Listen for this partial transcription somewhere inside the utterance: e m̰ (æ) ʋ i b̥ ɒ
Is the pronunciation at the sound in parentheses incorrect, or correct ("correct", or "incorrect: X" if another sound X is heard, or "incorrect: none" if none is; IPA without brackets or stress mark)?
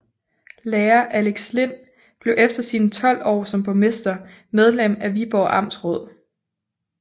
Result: correct